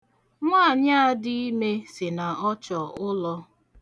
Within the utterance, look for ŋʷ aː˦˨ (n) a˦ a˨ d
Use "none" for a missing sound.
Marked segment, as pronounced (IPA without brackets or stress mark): ɲ